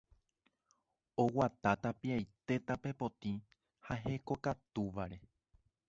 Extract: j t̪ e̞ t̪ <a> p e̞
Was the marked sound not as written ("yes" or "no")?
no